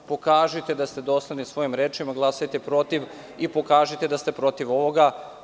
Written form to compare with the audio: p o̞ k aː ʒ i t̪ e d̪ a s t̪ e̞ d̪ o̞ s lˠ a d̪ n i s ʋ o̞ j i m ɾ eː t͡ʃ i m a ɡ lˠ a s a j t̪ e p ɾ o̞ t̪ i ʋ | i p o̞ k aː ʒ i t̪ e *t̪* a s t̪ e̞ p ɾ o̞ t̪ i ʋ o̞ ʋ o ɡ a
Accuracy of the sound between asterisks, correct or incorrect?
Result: incorrect: d̪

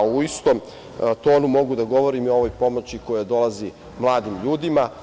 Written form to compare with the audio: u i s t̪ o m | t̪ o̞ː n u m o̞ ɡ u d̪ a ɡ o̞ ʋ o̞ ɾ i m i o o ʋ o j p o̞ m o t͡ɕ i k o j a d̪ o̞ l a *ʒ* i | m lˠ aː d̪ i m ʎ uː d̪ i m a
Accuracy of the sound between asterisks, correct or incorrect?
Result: incorrect: z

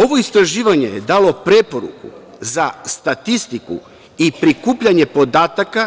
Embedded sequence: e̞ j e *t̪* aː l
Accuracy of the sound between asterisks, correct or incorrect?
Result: incorrect: d̪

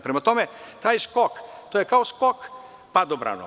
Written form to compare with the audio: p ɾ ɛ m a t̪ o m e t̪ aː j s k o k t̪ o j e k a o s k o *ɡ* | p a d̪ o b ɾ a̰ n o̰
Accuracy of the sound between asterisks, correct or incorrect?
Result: incorrect: k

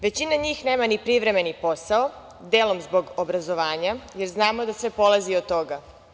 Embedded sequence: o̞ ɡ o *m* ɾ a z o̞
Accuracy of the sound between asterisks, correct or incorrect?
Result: incorrect: b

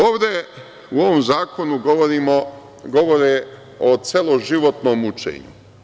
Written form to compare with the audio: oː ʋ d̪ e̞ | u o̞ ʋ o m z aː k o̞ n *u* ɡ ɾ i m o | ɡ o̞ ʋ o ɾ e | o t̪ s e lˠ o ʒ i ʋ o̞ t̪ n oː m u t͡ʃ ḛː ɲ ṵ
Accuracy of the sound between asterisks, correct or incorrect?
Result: correct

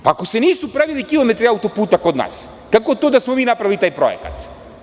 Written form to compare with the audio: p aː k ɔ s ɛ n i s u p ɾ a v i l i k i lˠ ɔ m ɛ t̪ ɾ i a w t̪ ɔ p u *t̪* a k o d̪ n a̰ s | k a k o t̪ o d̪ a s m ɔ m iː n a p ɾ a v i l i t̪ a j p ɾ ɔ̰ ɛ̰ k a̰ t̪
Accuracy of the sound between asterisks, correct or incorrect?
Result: correct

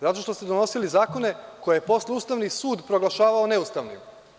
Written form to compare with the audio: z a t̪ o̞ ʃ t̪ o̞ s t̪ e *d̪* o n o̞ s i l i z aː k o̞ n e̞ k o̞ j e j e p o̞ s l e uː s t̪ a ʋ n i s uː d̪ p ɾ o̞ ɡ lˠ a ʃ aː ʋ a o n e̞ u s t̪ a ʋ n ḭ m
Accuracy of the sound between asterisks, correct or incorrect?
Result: correct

